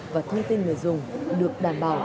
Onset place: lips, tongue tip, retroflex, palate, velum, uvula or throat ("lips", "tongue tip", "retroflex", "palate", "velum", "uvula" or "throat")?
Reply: lips